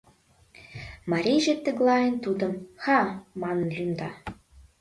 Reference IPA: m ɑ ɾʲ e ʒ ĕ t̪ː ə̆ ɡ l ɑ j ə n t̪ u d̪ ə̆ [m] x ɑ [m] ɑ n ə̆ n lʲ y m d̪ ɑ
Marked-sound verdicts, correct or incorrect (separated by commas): correct, correct